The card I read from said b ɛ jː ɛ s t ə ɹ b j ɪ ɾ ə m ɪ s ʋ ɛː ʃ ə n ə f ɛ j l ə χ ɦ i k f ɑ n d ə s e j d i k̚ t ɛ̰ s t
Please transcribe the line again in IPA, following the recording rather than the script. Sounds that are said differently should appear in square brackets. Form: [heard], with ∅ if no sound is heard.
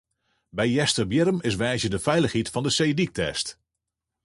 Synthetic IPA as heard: b ɛ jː ɛ s t ə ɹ b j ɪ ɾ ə m ɪ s ʋ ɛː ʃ ə [d] ə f ɛ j l ə χ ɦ i [t] f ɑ n d ə s e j d i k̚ t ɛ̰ s t